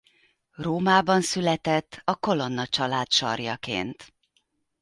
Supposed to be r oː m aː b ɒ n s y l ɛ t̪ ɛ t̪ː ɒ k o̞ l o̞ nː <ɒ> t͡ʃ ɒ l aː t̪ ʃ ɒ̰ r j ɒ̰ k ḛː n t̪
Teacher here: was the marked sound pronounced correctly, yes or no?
yes